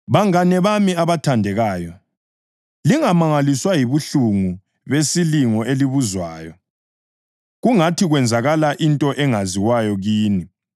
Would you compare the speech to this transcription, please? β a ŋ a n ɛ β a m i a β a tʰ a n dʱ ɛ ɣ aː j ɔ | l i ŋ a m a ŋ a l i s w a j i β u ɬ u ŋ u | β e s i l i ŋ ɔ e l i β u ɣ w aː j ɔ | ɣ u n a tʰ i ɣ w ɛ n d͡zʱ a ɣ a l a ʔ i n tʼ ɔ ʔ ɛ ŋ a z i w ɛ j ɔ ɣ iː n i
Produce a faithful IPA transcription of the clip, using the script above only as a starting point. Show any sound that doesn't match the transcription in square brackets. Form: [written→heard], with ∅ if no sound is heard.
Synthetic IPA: β a ŋ a n ɛ β a m i a β a tʰ a n dʱ ɛ ɣ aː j ɔ | l i ŋ a m a ŋ a l i s w a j i β u ɬ u ŋ u | β e s i l i ŋ ɔ e l i β u [ɣ→z] w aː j ɔ | ɣ u [n→ŋ] a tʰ i ɣ w ɛ n d͡zʱ a ɣ a l a ʔ i n tʼ ɔ ʔ ɛ ŋ a z i w [ɛ→a] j ɔ ɣ iː n i